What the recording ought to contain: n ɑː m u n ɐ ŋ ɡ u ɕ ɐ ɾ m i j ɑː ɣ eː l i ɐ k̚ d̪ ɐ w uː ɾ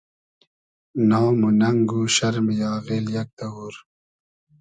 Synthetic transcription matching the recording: n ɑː m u n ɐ ŋ ɡ u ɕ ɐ ɾ m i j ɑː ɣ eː l j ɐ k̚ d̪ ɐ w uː ɾ